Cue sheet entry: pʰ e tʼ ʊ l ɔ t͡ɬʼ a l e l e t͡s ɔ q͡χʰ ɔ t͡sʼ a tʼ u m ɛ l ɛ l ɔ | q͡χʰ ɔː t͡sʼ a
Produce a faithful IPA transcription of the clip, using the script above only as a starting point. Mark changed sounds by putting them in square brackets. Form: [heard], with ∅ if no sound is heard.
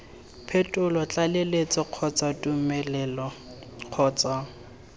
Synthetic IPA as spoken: pʰ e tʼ ʊ l ɔ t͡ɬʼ a l e l e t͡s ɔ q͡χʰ ɔ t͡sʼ a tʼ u m ɛ l ɛ l ɔ | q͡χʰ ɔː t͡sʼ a

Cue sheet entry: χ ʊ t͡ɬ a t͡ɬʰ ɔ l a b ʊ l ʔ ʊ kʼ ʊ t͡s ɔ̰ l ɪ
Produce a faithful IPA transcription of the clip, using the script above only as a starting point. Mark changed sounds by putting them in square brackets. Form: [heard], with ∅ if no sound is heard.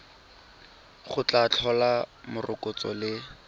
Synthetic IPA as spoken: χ ʊ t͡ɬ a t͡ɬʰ ɔ l a [m] ʊ [r] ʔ ʊ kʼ ʊ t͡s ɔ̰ l ɪ

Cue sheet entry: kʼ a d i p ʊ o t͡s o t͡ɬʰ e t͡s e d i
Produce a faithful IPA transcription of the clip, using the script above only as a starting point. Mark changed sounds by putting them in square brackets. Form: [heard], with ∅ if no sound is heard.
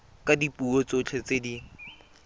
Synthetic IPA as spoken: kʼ a d i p [u] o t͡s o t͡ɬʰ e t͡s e d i

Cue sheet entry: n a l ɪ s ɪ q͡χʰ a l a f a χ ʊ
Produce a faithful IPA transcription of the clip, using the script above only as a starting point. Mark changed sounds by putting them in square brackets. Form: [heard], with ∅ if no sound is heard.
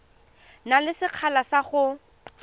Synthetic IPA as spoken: n a l ɪ s ɪ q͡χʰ a l a [s] a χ ʊ

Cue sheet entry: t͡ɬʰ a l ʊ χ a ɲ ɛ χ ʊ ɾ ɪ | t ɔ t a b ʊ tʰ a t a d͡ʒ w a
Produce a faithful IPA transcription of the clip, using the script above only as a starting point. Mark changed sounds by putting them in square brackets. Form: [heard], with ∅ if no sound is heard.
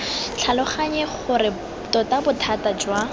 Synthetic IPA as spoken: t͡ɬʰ a l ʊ χ a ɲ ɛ χ ʊ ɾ ɪ | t ɔ t a b ʊ tʰ a t a d͡ʒ w a

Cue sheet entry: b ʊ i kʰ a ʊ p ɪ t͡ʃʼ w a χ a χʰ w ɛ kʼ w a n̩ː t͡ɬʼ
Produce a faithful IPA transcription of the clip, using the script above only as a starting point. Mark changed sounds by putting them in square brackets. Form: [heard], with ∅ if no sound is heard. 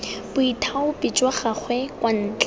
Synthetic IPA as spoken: b ʊ i [tʰ] a ʊ p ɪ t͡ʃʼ w a χ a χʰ w ɛ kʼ w a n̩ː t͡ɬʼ

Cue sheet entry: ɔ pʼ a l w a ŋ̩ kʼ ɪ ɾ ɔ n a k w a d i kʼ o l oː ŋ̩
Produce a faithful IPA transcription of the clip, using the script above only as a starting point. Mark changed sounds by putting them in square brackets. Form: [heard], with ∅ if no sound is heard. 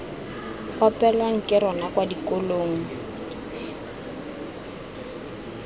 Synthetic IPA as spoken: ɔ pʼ [ɛ] l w a ŋ̩ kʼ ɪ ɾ ɔ n a k w a d i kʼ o l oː ŋ̩

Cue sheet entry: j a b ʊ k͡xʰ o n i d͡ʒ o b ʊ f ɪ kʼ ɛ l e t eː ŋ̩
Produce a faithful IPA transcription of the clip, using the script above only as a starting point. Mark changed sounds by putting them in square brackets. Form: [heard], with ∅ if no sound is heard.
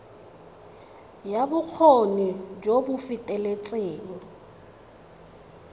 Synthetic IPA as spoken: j a b ʊ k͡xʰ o n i d͡ʒ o b ʊ f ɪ [tʼ] ɛ l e [t͡sʼ] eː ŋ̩

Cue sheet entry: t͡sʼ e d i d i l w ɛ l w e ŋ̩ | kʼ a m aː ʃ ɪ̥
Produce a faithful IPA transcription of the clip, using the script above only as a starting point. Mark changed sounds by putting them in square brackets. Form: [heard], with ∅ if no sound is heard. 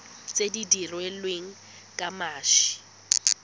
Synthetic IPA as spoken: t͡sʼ e d i d i [r] w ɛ l w e ŋ̩ | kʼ a m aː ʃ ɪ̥

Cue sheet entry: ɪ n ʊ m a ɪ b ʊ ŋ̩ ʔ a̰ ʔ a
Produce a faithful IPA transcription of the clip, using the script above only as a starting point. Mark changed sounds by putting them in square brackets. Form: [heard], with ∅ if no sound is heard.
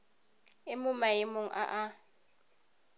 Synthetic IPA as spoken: ɪ [m] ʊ m a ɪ [m] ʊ ŋ̩ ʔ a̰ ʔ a

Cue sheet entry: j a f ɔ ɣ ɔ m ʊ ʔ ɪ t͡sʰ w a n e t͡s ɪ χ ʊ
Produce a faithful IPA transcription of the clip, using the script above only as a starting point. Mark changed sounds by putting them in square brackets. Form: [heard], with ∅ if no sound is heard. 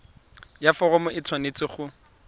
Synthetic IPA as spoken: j a f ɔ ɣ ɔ m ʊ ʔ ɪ t͡sʰ w a n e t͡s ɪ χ ʊ

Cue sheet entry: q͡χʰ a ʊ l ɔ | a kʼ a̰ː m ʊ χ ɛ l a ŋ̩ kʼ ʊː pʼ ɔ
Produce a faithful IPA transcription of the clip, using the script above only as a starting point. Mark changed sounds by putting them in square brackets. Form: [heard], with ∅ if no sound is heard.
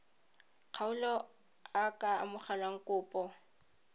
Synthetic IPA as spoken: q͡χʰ a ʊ l ɔ | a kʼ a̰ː m ʊ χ [a] l a ŋ̩ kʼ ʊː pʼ ɔ

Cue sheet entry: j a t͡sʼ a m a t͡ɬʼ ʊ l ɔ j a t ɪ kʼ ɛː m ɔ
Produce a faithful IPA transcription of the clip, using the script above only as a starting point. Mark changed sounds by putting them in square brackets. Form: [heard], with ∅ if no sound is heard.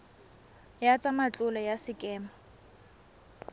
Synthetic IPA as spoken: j a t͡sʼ a m a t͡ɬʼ ʊ l ɔ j a [s] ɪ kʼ ɛː m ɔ

